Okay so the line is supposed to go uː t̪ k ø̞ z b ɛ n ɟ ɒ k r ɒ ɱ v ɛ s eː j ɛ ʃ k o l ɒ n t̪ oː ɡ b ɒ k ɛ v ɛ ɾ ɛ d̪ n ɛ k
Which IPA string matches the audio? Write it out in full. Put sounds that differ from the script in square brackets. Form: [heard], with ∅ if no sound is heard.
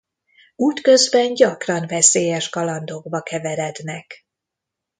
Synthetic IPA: uː t̪ k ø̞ z b ɛ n ɟ ɒ k r ɒ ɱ v ɛ s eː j ɛ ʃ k [ɒ] l ɒ n [d̪] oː ɡ b ɒ k ɛ v ɛ ɾ ɛ d̪ n ɛ k